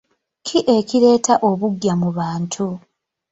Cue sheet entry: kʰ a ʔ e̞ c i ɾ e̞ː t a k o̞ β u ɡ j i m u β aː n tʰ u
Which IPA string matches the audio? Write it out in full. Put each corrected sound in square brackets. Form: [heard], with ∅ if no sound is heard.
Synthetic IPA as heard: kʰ [i] ʔ e̞ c i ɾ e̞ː t a [ʔ] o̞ β u ɡ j [a] m u β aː n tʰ u